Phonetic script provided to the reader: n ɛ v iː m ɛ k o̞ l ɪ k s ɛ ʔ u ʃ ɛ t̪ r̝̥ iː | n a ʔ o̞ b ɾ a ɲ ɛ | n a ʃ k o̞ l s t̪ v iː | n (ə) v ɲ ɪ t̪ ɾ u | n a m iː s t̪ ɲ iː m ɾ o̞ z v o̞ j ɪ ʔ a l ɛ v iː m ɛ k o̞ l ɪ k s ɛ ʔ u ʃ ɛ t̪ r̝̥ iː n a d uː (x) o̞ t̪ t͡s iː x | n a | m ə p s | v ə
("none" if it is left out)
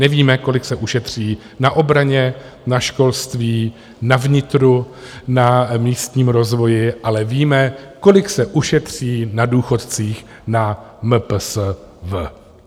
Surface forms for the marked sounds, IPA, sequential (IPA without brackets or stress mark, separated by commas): a, x